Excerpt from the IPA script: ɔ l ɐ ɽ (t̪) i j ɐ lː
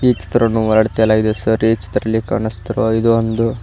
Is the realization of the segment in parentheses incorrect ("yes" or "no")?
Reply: no